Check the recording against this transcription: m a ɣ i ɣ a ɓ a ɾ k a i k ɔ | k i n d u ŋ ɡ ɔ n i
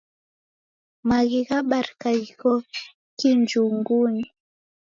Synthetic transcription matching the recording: m a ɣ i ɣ a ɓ a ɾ k a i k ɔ | k i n d͡ʒ u ŋ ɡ u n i